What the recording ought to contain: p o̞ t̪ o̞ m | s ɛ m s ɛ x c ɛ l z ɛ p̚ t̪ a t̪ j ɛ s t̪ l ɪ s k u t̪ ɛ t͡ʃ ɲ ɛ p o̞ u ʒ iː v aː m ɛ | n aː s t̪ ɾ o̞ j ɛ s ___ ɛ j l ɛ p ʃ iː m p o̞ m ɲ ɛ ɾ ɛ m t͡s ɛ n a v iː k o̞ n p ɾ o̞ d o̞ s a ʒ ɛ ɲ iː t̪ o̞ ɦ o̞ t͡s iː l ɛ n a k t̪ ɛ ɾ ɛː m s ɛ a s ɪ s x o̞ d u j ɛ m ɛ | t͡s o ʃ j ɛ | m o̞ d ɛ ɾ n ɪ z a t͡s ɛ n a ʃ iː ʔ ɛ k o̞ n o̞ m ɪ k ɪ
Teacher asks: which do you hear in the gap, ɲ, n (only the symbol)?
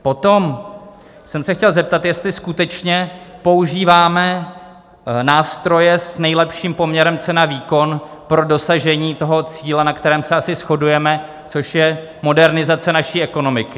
n